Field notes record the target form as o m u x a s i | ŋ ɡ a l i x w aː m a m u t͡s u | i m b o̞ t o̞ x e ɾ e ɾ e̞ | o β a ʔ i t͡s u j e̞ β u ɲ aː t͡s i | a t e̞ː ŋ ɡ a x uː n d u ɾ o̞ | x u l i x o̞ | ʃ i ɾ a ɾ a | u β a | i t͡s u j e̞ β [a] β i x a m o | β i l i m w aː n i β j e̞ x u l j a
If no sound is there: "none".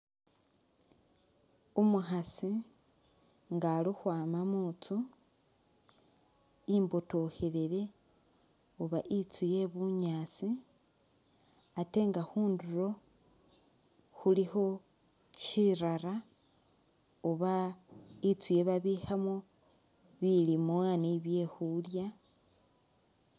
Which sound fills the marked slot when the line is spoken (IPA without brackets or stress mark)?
a